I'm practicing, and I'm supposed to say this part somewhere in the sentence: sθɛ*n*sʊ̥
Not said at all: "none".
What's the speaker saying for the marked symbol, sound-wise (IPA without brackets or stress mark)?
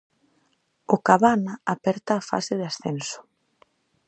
n